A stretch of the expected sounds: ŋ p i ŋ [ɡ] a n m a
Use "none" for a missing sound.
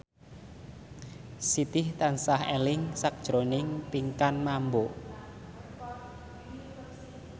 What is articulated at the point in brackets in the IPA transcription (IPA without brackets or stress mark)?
k